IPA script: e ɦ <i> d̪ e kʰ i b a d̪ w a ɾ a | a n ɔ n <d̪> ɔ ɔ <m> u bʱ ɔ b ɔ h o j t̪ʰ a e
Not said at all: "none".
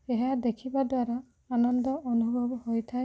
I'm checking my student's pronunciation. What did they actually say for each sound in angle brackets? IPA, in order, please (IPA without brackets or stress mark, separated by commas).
a, d̪, n